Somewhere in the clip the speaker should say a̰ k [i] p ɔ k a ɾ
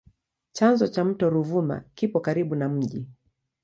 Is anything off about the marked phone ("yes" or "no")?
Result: no